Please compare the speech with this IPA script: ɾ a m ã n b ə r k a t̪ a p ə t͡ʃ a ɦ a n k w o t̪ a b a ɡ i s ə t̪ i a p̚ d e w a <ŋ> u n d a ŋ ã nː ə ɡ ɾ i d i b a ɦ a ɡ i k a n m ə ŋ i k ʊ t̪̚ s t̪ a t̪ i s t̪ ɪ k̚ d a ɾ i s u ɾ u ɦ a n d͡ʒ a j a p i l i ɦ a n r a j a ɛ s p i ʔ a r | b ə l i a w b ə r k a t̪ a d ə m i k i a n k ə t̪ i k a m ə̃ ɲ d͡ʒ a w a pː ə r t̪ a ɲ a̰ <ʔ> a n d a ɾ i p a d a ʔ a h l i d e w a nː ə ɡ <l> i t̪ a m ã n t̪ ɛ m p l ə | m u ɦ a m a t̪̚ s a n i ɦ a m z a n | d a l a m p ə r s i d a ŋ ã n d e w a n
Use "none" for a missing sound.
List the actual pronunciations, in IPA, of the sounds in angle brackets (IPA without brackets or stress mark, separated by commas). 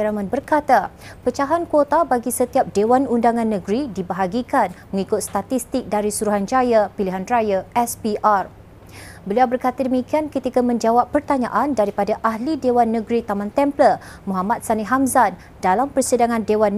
n, ʔ, ɾ